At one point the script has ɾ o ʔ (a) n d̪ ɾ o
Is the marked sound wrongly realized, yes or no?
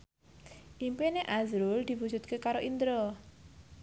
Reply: yes